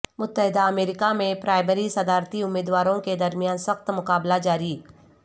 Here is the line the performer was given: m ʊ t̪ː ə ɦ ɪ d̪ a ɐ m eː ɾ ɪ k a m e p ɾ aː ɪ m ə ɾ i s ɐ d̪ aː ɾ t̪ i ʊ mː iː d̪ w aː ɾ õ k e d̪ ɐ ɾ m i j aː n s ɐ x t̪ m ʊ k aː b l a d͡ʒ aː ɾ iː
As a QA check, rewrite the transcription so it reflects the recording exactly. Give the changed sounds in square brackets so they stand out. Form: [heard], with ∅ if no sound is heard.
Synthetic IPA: m ʊ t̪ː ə ɦ ɪ d̪ a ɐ m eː ɾ ɪ k a m [ẽ] p ɾ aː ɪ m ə ɾ i s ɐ d̪ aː ɾ t̪ i ʊ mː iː d̪ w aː ɾ õ k e d̪ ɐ ɾ m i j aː n s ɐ x t̪ m ʊ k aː b l a d͡ʒ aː ɾ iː